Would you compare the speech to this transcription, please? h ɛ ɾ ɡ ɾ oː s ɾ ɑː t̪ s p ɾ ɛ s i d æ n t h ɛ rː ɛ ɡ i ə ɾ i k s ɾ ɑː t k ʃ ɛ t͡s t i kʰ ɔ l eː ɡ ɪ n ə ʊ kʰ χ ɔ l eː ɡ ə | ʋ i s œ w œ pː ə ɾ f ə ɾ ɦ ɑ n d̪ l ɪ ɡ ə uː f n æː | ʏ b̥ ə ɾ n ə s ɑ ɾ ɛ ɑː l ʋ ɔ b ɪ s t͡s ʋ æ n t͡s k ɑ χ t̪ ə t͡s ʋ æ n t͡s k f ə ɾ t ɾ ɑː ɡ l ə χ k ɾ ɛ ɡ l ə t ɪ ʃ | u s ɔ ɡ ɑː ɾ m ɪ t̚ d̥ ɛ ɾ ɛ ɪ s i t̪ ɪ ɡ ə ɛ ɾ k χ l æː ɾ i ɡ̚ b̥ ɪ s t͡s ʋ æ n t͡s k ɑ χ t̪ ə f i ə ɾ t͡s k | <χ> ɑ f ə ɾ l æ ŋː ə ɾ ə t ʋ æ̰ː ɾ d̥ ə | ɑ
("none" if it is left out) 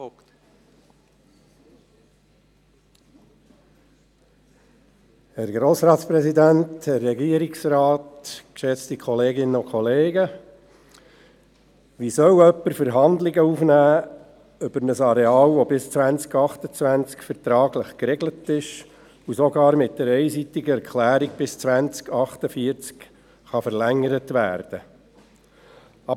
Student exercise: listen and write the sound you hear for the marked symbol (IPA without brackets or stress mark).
χ